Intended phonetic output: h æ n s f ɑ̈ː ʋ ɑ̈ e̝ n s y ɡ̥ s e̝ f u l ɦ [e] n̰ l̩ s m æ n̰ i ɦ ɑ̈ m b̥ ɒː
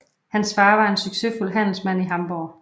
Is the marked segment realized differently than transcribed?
yes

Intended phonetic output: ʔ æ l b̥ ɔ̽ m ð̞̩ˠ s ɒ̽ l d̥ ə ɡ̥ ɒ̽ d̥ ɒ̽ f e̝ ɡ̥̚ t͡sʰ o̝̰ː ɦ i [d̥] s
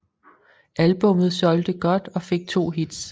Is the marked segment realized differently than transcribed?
no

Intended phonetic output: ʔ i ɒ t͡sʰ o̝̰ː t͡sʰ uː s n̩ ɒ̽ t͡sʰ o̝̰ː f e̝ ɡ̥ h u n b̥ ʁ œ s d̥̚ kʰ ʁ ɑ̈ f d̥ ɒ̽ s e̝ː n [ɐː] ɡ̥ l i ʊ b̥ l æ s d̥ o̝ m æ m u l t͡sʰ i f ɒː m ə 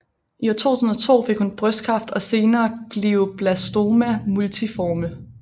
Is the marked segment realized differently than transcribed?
no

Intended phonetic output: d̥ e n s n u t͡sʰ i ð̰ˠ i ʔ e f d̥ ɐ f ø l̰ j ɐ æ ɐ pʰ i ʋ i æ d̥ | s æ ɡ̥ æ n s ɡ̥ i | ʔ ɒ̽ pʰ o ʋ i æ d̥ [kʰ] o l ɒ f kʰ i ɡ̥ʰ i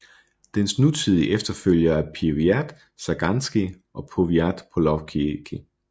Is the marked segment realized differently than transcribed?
yes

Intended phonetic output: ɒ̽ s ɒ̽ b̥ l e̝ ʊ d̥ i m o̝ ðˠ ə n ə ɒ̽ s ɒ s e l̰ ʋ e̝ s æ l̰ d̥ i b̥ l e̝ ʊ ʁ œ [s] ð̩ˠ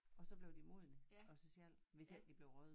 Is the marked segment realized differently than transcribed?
yes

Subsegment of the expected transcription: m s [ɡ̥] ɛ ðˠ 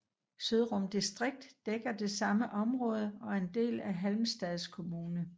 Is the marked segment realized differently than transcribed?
yes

